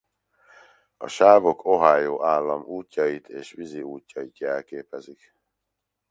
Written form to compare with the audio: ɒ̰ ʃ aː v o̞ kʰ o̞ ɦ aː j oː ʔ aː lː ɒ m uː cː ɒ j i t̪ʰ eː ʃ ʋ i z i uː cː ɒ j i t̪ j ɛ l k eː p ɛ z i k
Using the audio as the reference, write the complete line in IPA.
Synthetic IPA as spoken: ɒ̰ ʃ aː v o̞ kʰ o̞ ɦ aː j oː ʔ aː lː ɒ m uː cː ɒ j i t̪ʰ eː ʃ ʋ i z i uː cː ɒ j i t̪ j ɛ l k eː p ɛ z i k